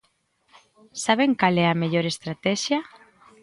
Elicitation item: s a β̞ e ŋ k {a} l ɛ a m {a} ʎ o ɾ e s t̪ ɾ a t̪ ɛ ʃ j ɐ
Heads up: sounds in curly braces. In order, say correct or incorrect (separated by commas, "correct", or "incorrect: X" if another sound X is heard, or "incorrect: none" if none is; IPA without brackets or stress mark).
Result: correct, incorrect: e